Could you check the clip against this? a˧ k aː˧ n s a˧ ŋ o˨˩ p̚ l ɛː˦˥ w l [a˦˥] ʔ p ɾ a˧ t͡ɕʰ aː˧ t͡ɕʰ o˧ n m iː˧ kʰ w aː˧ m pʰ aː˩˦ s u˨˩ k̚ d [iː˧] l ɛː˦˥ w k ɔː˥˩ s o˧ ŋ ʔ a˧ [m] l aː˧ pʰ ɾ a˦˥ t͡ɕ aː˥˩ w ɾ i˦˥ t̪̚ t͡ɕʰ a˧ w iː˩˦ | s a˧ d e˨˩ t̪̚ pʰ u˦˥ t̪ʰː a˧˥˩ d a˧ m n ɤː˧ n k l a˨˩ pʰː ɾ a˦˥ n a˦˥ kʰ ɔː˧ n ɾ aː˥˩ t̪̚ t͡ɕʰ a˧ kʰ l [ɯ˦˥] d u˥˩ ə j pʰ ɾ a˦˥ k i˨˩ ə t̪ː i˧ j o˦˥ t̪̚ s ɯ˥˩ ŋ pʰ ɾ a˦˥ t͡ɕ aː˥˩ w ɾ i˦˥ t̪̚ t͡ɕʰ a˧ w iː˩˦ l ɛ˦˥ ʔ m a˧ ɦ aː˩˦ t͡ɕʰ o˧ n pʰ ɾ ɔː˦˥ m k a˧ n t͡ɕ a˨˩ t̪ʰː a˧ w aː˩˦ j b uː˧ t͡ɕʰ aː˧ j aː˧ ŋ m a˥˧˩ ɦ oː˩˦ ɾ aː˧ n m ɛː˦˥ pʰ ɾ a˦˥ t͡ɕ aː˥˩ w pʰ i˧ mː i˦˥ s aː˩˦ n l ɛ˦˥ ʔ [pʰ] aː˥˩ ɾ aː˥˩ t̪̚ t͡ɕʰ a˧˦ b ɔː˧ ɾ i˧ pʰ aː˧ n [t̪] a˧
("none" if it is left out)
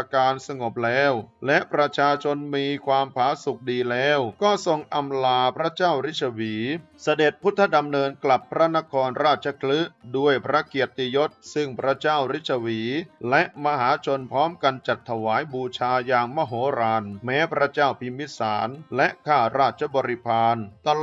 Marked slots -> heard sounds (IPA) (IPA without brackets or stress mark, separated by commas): ɛ˦˥, iː˧, m, ɯ˦˥, kʰ, t̪